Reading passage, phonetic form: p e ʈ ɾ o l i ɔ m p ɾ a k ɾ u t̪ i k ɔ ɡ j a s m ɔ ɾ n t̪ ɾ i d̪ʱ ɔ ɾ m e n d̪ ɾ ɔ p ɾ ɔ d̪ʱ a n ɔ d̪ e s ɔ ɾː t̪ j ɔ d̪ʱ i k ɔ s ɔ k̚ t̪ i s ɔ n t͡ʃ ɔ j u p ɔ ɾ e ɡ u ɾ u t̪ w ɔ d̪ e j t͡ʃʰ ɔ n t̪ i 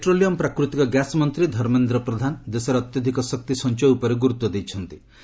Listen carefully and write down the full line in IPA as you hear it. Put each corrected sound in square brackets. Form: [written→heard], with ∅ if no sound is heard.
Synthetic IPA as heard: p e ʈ ɾ o l i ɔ m p ɾ a k ɾ u t̪ i k ɔ ɡ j a s m ɔ [ɾ→∅] n t̪ ɾ i d̪ʱ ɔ ɾ m e n d̪ ɾ ɔ p ɾ ɔ d̪ʱ a n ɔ d̪ e s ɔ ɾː t̪ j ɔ d̪ʱ i k ɔ s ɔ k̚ t̪ i s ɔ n t͡ʃ ɔ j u p ɔ ɾ e ɡ u ɾ u t̪ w ɔ d̪ e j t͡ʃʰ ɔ n t̪ i

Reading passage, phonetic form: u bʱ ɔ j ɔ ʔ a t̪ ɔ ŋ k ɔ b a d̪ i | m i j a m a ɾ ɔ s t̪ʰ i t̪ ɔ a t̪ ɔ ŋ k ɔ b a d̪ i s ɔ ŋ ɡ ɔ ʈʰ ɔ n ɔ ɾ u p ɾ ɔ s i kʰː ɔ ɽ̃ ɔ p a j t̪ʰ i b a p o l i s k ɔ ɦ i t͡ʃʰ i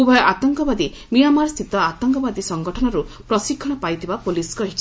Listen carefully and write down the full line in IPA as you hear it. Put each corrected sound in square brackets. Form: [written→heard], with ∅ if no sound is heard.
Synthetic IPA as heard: u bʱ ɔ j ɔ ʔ a t̪ ɔ ŋ k ɔ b a d̪ i | m i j a m a ɾ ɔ s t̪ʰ i t̪ ɔ a t̪ ɔ ŋ k ɔ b a d̪ i s ɔ ŋ ɡ ɔ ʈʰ ɔ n ɔ ɾ u p ɾ ɔ s i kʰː ɔ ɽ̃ ɔ p a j t̪ʰ i b a p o l i s k ɔ ɦ i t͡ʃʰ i

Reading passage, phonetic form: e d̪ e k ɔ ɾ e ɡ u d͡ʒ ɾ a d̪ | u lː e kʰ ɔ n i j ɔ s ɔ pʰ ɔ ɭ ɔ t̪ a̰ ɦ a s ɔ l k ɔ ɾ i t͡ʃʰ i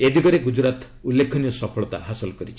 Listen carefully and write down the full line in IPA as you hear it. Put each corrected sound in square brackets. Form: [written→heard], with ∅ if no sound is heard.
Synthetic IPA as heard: e d̪ [e→i] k ɔ ɾ e ɡ u d͡ʒ ɾ a [d̪→t̪] | u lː e kʰ ɔ n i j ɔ s ɔ pʰ ɔ ɭ ɔ t̪ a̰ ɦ a s ɔ l k ɔ ɾ i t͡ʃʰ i

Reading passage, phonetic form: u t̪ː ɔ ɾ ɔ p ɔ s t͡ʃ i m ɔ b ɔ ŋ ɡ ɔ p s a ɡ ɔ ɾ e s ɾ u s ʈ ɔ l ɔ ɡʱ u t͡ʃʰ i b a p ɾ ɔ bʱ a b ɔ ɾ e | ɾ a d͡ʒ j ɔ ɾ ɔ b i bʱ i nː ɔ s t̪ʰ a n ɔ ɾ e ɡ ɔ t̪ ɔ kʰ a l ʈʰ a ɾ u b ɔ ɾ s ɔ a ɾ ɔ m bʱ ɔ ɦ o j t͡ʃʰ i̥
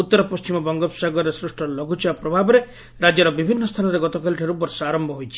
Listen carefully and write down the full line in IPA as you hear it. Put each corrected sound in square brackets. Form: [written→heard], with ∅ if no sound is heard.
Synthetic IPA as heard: u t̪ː ɔ ɾ ɔ p ɔ s t͡ʃ i m ɔ b ɔ ŋ ɡ ɔ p s a ɡ ɔ ɾ e s ɾ u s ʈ ɔ l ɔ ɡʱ u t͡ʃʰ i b a p ɾ ɔ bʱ a b ɔ ɾ e | ɾ a d͡ʒ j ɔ ɾ ɔ b i bʱ i nː ɔ s t̪ʰ a n ɔ ɾ e ɡ ɔ t̪ ɔ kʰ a l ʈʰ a ɾ u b ɔ ɾ s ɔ a ɾ ɔ m bʱ ɔ ɦ o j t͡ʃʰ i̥

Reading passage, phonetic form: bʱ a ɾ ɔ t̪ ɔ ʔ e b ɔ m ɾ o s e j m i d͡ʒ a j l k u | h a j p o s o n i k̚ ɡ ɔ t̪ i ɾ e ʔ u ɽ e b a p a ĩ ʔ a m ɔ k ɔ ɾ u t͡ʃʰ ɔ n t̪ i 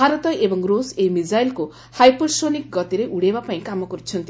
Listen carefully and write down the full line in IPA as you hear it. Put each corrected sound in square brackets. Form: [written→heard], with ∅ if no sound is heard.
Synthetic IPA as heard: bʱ a ɾ ɔ t̪ ɔ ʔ e b ɔ [m→ŋ] ɾ o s e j m i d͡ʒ a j l k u | h a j p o s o n i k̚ ɡ ɔ t̪ i ɾ e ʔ u ɽ e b a p a ĩ [ʔ→k] a m ɔ k ɔ ɾ u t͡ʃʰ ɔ n t̪ i

